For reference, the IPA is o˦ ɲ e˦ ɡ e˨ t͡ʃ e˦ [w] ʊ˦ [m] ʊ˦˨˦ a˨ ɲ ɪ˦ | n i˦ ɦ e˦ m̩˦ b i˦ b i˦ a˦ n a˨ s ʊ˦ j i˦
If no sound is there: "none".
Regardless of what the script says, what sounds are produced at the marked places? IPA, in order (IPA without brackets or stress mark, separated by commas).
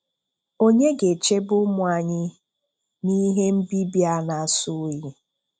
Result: b, m